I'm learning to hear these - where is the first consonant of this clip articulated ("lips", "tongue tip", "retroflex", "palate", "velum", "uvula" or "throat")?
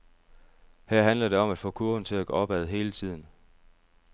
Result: throat